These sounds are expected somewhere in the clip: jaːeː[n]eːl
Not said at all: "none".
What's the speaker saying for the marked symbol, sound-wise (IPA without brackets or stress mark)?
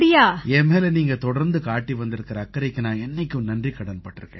m